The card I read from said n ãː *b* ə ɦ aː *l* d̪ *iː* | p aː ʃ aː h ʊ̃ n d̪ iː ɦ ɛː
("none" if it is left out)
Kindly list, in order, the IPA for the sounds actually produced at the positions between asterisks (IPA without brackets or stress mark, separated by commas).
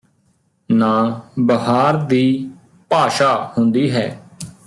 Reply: b, ɾ, iː